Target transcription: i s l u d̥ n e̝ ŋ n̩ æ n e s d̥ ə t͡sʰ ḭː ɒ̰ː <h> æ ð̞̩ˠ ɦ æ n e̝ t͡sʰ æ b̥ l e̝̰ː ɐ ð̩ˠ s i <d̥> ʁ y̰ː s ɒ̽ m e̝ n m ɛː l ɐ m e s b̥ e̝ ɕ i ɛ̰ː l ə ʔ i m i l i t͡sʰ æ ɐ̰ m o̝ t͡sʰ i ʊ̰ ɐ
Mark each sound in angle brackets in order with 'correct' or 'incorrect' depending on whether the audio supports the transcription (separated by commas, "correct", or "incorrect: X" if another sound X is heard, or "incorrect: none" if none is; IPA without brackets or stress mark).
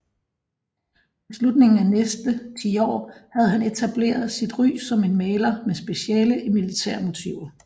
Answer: correct, correct